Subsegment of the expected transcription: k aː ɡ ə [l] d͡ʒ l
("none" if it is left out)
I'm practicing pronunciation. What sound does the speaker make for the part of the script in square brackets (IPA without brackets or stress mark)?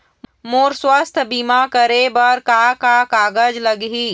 none